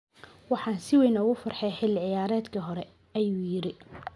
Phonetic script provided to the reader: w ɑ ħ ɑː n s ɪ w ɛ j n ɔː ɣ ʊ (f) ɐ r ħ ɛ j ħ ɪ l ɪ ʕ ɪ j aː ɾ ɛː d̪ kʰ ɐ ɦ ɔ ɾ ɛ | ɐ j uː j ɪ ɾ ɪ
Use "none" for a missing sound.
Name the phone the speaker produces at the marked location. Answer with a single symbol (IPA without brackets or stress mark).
f